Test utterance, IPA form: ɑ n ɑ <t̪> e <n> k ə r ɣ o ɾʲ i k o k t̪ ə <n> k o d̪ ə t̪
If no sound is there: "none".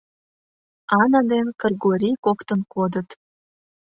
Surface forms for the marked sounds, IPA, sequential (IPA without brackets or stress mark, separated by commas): d̪, n, n